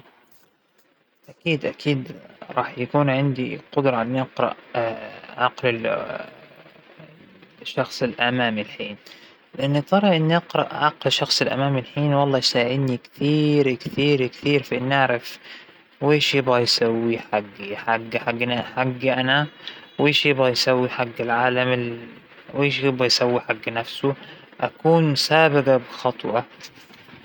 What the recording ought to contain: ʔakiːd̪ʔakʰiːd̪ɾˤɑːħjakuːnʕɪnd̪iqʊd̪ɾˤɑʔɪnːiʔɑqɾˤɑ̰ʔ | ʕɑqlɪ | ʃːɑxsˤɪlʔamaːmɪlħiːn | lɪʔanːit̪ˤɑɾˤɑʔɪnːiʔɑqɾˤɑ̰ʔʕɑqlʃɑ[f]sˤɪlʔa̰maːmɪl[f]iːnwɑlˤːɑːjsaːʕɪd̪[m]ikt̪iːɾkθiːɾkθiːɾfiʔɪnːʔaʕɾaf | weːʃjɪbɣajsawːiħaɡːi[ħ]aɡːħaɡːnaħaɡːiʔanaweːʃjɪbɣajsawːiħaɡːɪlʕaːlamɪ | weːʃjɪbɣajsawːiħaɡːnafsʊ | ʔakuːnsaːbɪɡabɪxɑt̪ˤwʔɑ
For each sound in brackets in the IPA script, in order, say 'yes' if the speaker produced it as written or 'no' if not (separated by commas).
no, no, no, yes